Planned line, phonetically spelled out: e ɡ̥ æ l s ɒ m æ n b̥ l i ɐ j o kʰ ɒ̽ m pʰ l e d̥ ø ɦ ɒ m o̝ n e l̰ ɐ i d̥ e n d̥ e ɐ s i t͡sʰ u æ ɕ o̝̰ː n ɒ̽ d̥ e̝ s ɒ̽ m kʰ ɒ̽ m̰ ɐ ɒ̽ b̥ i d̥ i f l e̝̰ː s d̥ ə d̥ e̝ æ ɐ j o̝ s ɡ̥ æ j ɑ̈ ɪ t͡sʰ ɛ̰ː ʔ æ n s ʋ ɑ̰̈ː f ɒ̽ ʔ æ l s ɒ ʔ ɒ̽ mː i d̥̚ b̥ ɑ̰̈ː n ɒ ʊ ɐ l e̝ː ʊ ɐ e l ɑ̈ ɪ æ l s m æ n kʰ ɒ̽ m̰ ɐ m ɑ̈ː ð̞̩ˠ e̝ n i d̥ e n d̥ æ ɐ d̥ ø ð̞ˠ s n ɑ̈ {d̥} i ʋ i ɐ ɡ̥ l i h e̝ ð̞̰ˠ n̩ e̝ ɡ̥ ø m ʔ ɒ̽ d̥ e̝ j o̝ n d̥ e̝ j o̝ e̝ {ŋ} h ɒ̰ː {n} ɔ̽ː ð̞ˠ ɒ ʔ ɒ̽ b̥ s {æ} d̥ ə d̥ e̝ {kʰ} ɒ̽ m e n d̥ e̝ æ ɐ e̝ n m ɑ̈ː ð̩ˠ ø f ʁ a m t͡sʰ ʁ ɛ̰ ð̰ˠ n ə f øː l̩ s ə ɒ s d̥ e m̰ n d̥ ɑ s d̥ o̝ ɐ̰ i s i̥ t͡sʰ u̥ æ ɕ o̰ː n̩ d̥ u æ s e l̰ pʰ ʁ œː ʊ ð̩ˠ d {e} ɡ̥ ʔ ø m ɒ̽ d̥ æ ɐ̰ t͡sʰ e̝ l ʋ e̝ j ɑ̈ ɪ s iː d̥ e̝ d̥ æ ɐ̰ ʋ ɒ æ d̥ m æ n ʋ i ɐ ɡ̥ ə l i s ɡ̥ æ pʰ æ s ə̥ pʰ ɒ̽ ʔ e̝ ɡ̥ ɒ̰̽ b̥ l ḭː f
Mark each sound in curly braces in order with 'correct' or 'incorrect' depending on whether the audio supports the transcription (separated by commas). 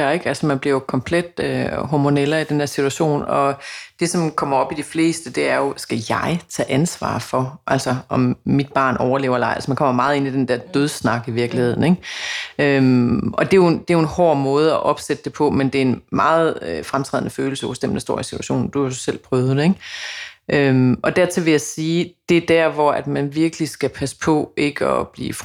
incorrect, incorrect, incorrect, incorrect, incorrect, correct